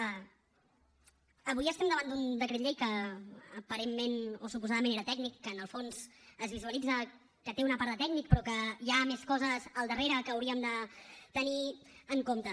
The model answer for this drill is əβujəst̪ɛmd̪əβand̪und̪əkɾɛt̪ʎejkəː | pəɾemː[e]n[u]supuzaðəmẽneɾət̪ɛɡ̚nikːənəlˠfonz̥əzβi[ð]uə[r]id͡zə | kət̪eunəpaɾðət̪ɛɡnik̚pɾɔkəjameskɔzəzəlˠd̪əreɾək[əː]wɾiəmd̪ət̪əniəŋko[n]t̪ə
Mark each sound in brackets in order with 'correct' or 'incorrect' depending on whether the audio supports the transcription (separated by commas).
correct, incorrect, incorrect, incorrect, correct, incorrect